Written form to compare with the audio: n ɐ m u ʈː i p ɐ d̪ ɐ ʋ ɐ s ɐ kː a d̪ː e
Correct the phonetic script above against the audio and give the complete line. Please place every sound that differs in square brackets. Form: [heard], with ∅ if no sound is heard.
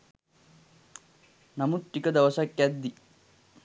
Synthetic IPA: n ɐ m u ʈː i [k] ɐ d̪ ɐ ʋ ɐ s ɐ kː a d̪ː [i]